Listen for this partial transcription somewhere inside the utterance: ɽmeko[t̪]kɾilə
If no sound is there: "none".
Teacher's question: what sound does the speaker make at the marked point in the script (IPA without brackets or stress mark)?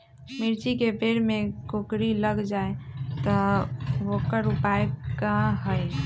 none